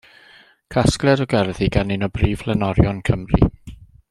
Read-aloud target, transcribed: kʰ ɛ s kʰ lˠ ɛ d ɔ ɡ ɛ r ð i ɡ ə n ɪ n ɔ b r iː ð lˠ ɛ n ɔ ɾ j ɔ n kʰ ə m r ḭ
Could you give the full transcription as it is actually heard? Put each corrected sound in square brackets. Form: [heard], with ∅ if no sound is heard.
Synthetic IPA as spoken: kʰ [a] s [k] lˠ ɛ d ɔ ɡ ɛ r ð i ɡ [a] n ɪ n ɔ b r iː [v] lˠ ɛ n ɔ ɾ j ɔ n kʰ ə m r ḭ